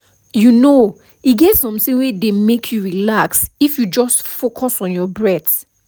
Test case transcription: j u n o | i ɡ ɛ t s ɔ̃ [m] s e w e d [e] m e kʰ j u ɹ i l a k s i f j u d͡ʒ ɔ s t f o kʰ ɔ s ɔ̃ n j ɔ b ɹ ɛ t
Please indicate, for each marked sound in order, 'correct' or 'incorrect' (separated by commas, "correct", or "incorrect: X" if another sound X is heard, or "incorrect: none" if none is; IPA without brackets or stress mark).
correct, correct